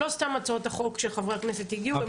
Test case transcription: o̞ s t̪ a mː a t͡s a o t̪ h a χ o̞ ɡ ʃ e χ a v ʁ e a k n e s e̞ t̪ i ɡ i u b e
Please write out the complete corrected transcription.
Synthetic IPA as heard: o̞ s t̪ a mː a t͡s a o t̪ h a χ o̞ k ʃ e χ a v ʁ e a k n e s e̞ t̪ i ɡ i u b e